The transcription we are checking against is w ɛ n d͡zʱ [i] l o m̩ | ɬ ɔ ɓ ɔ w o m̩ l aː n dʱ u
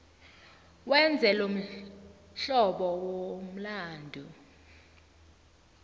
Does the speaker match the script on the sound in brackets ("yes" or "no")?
no